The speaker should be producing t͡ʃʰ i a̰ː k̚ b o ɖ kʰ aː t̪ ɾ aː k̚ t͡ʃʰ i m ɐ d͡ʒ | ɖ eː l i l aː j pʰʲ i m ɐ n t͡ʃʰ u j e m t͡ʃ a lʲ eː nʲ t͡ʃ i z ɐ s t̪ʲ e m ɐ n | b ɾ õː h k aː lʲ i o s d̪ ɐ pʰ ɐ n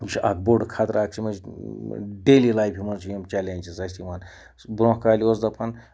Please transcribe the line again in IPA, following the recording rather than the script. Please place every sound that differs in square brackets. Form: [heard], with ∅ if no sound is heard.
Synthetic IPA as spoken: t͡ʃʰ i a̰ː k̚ b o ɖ kʰ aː t̪ ɾ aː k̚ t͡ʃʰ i m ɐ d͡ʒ | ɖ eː l i l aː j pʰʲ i m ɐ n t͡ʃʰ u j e m t͡ʃ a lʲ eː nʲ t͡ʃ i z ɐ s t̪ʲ [i] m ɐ n | b ɾ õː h k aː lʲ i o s d̪ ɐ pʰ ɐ n

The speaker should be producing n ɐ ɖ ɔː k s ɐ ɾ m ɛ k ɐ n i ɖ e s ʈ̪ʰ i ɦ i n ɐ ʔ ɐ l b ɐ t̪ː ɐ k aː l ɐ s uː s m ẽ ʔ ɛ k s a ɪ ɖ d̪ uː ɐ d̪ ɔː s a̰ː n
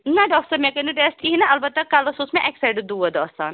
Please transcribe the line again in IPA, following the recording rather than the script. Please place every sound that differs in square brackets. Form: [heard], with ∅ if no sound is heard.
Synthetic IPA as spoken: n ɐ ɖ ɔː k s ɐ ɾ m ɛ k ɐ n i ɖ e s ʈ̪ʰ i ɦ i n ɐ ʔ ɐ l b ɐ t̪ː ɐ k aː l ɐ s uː s m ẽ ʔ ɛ k s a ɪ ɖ d̪ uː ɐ d̪ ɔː s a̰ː n

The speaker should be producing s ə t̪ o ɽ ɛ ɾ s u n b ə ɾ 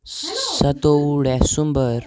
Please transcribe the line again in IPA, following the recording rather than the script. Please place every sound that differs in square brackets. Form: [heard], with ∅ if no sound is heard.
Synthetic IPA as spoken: s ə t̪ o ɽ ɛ [∅] s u [m] b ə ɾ

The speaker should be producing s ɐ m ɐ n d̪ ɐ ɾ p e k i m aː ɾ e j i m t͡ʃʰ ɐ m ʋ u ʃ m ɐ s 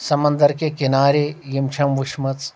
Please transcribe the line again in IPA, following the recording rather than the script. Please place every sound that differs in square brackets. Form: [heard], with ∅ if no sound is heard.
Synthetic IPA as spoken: s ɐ m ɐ n d̪ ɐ ɾ [k] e k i [n] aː ɾ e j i m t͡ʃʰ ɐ m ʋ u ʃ m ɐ [t͡s]

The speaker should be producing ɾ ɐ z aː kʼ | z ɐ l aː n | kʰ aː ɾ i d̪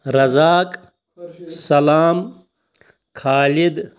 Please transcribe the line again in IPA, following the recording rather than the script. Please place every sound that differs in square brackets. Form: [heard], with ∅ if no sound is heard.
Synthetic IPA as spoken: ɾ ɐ z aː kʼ | [s] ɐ l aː [m] | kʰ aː [l] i d̪

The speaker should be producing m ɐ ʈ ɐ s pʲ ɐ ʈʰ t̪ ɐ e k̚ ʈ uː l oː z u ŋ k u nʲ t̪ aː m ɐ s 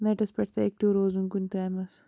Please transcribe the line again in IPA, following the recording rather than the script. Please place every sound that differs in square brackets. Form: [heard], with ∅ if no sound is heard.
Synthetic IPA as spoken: [n] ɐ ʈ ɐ s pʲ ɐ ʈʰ t̪ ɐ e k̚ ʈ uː [ɾ] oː z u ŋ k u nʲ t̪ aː m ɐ s

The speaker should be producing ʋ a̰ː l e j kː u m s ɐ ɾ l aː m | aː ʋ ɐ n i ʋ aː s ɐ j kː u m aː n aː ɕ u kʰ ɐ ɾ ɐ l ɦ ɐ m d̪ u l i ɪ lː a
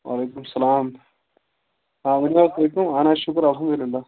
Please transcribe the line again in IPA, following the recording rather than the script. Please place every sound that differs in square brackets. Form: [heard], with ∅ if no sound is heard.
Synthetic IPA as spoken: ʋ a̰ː l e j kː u m s ɐ [∅] l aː m | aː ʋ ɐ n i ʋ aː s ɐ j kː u m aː n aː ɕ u [k] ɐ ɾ ɐ l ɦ ɐ m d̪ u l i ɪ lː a

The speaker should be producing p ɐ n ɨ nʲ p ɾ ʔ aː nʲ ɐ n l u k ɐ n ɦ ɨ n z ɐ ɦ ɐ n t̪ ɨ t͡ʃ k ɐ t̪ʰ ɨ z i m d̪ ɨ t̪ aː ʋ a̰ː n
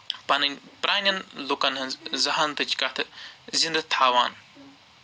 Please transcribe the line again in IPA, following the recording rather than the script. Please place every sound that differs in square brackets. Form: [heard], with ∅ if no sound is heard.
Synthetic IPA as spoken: p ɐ n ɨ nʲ p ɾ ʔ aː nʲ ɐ n l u k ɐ n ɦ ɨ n z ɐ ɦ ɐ n t̪ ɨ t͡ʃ k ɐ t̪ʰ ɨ z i [n] d̪ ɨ [t̪ʰ] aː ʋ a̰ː n

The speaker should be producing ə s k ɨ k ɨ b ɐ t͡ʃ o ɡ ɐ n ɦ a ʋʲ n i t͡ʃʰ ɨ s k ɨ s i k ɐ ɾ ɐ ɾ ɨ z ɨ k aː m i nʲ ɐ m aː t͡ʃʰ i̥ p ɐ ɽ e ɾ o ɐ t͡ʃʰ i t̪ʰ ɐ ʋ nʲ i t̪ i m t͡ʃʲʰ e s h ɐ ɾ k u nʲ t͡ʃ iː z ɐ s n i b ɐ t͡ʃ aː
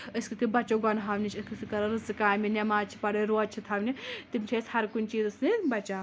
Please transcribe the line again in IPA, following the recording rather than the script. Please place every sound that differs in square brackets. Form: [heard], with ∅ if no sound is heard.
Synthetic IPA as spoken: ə s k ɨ k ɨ b ɐ t͡ʃ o ɡ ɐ n ɦ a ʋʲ n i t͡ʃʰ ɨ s k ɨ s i k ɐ ɾ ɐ ɾ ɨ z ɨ k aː m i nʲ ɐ m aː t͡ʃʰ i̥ p ɐ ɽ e ɾ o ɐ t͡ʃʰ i t̪ʰ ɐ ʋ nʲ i t̪ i m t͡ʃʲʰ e s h ɐ ɾ k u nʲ t͡ʃ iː z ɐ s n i b ɐ t͡ʃ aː

